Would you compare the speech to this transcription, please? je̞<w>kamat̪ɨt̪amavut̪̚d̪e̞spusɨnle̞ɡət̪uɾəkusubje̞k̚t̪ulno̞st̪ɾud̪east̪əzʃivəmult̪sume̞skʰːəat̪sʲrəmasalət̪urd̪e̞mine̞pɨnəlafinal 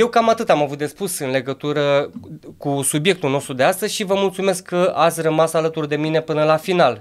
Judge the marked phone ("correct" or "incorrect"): correct